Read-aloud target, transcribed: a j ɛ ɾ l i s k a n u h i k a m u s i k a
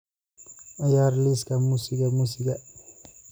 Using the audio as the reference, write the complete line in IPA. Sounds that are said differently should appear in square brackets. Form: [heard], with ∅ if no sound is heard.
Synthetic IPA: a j [a] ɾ l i s k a [m] u [s] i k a m u s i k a